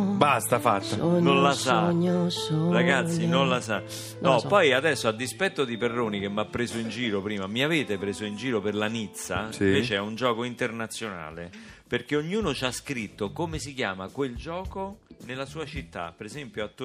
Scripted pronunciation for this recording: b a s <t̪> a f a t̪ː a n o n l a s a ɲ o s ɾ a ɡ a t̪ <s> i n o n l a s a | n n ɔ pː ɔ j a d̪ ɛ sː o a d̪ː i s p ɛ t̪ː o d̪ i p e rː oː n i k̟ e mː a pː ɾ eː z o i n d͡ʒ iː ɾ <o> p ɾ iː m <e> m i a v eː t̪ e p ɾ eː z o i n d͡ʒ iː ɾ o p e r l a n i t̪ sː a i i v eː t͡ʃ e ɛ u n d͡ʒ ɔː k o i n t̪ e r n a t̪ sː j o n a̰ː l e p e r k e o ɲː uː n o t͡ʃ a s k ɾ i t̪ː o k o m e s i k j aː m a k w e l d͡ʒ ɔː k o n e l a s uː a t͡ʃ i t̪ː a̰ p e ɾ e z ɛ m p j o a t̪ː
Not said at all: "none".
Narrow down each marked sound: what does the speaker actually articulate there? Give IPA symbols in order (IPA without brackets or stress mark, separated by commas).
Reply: t̪, sː, o, a